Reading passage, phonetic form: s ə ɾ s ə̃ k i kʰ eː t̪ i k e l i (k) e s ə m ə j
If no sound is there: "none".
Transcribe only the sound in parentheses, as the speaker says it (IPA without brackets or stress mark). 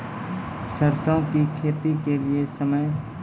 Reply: none